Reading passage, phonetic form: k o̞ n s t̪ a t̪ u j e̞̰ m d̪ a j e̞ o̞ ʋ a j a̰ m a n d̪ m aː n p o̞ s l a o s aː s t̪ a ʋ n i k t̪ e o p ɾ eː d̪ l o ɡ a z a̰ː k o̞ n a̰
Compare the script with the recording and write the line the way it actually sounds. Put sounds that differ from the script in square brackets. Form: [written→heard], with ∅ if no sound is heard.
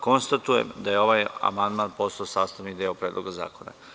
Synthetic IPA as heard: k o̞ n s t̪ a t̪ u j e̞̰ m d̪ a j e̞ o̞ ʋ a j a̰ m a n d̪ m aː n p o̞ s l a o s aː s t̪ a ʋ n i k [t̪→d̪] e o p ɾ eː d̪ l o ɡ a z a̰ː k o̞ n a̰